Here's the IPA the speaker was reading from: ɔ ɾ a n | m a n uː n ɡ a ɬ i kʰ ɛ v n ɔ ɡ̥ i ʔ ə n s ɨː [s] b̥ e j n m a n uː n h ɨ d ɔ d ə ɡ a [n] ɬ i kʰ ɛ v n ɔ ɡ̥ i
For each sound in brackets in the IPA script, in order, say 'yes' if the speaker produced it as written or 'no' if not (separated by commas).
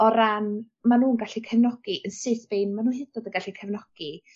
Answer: no, no